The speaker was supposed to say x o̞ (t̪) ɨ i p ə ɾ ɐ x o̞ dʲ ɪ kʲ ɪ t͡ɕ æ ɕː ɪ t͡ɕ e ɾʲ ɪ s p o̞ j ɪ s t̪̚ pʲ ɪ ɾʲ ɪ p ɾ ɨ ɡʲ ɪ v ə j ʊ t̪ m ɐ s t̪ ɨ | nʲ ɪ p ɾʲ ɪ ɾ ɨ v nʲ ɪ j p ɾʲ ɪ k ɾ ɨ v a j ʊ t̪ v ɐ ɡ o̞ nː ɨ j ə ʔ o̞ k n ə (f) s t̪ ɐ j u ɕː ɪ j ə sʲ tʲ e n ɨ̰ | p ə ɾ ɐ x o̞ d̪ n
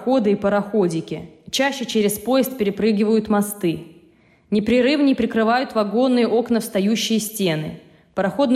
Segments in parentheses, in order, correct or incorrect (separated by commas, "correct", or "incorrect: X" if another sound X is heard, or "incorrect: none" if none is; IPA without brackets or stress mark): incorrect: d̪, correct